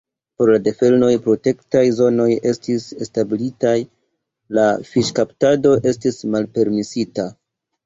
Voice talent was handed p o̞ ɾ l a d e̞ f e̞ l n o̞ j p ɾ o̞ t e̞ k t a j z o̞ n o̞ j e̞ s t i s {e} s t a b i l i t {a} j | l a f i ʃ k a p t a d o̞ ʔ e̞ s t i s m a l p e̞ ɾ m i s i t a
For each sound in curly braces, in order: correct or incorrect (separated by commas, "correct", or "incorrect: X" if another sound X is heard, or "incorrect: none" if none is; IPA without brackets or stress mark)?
correct, correct